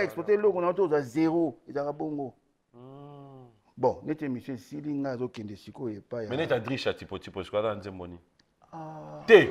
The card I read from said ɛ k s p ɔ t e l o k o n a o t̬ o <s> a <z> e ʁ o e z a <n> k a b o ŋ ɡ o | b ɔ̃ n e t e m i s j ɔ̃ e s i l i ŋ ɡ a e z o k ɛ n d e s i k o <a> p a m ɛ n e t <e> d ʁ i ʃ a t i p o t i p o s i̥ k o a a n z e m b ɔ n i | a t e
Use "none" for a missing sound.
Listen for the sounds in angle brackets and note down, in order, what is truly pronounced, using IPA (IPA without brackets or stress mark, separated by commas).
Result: z, z, none, e, a